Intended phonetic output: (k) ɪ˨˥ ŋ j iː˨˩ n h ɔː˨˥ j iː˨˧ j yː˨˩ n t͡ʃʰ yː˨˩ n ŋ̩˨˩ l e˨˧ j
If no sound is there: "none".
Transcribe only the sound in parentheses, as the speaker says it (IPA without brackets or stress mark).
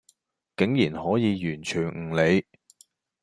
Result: k